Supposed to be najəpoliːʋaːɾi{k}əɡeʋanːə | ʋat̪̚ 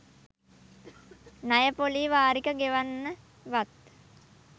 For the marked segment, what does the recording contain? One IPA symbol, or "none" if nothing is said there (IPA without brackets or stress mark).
k